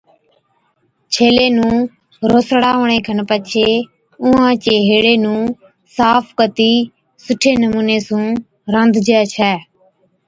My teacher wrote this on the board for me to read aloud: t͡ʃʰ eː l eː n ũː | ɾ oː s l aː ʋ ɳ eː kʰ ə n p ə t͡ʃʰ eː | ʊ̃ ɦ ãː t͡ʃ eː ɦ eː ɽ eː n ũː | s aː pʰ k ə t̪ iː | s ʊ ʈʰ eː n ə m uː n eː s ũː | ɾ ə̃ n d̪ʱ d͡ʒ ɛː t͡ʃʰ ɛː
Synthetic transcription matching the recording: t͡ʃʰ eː l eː n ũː | ɾ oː s ɽ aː ʋ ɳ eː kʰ ə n p ə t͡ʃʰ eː | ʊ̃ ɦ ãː t͡ʃ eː ɦ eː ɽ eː n ũː | s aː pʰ k ə t̪ iː | s ʊ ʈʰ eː n ə m uː n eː s ũː | ɾ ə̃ n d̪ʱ d͡ʒ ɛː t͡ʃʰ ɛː